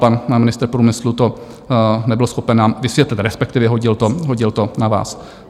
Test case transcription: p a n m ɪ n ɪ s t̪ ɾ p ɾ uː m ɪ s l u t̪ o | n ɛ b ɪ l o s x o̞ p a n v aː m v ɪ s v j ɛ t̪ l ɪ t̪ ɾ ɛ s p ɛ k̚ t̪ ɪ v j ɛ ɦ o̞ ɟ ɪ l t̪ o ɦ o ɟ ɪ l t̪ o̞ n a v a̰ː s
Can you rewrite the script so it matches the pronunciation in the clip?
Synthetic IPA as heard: p a n m ɪ n ɪ s t̪ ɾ p ɾ uː m ɪ s l u t̪ o | n ɛ b ɪ l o s x o̞ p ɛ n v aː m v ɪ s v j ɛ t̪ l ɪ t̪ ɾ ɛ s p ɛ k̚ t̪ ɪ v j ɛ ɦ o̞ ɟ ɪ l t̪ o ɦ o ɟ ɪ l t̪ o̞ n a v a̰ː s